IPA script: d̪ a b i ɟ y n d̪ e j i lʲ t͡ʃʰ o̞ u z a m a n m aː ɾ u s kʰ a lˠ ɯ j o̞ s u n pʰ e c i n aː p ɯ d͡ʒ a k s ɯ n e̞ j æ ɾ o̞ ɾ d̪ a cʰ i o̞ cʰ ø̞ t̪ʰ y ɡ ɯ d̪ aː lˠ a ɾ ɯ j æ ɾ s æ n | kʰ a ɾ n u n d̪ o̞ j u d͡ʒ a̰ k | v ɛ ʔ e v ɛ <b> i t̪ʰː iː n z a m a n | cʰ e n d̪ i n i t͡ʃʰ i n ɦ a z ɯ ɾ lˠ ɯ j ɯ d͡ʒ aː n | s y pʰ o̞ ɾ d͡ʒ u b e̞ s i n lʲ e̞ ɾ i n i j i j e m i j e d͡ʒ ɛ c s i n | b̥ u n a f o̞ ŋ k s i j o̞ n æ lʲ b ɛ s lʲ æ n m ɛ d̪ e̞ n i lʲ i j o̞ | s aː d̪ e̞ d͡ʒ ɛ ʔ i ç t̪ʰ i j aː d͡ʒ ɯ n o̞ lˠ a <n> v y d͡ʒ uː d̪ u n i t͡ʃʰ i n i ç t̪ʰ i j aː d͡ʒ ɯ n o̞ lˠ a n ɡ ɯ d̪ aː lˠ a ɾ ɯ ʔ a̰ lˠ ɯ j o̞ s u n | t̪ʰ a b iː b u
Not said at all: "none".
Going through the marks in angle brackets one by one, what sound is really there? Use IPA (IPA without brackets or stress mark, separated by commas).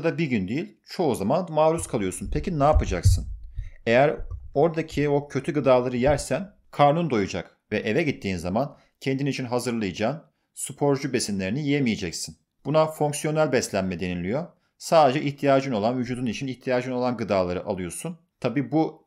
ɟ, n